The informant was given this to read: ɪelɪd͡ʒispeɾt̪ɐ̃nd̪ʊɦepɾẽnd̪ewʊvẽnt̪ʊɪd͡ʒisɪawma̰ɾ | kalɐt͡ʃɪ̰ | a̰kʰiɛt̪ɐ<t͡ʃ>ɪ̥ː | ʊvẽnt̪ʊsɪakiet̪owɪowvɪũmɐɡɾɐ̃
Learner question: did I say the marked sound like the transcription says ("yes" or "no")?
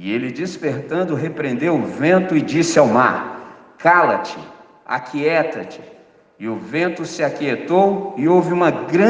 yes